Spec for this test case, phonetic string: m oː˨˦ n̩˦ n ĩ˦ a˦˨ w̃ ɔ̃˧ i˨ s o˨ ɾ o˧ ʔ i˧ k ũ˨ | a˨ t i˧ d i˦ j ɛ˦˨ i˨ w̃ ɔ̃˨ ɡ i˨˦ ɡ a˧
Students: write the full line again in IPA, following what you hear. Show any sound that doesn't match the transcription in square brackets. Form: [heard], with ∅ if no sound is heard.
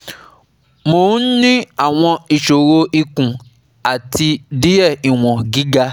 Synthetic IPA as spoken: m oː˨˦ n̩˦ n ĩ˦ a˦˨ w̃ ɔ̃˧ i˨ [ʃ] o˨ ɾ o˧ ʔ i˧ k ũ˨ | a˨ t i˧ d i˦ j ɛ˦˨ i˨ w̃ ɔ̃˨ ɡ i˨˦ ɡ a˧